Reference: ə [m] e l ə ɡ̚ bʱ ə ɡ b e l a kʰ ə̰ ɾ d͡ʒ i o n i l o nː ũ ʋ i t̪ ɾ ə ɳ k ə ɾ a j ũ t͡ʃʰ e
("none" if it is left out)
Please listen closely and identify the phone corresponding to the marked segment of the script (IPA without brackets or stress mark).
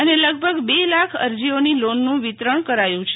n